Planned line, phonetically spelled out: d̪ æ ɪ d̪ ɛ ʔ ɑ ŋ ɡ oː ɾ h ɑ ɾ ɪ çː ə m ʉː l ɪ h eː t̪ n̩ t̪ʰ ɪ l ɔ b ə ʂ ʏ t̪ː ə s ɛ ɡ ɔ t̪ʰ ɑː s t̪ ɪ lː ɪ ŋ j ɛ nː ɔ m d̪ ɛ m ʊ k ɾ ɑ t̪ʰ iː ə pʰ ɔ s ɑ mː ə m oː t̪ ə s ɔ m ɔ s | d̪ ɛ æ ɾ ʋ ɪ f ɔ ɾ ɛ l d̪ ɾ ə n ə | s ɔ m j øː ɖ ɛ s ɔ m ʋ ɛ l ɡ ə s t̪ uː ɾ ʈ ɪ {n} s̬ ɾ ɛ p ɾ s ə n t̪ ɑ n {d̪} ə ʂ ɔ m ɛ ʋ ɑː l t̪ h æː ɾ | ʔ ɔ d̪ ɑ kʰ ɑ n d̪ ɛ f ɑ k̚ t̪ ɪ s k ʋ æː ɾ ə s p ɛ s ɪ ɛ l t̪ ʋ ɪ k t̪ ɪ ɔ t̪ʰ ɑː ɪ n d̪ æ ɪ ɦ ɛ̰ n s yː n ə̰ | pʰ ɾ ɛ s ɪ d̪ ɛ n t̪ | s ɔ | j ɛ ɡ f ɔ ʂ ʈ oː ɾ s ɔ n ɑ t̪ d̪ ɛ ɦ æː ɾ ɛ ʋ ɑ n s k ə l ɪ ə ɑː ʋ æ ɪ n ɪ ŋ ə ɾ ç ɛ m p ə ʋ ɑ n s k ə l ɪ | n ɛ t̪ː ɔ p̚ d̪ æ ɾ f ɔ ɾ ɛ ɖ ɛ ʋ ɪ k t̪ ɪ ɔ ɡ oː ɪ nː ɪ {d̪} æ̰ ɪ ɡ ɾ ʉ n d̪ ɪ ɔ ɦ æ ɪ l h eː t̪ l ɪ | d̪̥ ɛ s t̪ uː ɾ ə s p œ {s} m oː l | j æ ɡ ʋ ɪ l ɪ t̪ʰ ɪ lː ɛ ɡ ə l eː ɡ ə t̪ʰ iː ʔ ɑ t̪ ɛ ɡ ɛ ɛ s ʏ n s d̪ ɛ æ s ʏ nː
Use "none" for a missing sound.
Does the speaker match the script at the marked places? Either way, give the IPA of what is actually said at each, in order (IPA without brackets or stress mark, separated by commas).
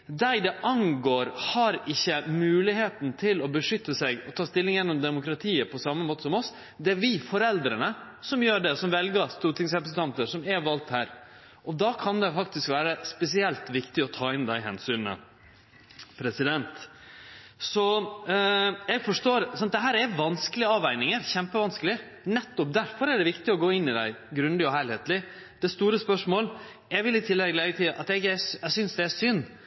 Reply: ŋ, t̪, d̪, ʂ